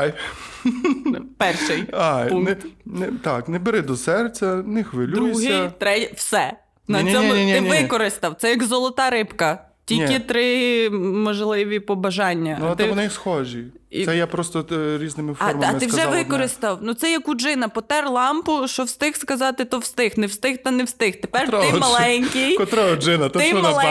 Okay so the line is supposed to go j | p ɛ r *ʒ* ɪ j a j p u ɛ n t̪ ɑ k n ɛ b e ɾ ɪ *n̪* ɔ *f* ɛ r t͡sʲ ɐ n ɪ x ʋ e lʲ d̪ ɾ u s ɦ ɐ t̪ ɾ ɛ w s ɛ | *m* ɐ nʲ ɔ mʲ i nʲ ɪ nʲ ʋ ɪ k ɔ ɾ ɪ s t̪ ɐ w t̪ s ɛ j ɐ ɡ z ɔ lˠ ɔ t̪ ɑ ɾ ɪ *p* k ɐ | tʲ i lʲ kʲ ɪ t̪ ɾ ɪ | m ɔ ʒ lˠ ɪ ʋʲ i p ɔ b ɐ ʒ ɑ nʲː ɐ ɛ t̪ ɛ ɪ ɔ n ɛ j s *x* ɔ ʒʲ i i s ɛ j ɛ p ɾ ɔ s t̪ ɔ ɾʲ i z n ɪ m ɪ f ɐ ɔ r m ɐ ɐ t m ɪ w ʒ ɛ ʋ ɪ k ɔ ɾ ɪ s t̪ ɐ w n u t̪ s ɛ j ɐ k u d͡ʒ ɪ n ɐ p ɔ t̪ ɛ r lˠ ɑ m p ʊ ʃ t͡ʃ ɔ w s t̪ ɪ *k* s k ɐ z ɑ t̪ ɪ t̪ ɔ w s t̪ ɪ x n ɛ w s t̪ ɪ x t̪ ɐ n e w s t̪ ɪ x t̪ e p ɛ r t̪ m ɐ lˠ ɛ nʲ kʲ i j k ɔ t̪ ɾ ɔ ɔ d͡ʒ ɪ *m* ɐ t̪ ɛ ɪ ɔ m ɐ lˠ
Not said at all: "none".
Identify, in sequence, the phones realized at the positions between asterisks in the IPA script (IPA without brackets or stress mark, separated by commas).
ʃ, d̪, s, n, p, x, x, n